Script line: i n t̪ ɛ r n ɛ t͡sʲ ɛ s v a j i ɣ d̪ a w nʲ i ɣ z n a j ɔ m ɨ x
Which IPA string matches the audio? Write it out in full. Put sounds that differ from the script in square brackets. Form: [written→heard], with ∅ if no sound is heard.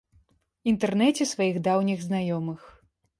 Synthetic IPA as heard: i n t̪ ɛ r n ɛ t͡sʲ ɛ s v a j i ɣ d̪ a w nʲ i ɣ z n a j ɔ m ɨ x